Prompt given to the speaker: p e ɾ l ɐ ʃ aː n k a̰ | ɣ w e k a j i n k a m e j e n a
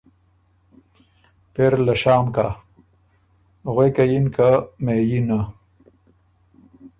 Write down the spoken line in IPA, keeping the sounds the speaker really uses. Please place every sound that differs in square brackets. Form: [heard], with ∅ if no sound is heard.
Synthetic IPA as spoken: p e ɾ l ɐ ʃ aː [m] k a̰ | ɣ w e k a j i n k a m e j [i] n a